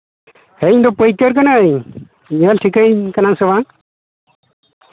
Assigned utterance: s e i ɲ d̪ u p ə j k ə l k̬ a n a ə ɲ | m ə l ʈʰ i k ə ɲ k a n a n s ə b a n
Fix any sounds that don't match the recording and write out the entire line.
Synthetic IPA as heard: h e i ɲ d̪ ɔ p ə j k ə ɾ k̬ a n a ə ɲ | ɲ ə l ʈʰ i k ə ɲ k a n a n s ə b a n